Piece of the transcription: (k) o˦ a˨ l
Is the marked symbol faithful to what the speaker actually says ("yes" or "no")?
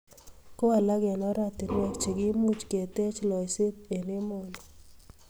yes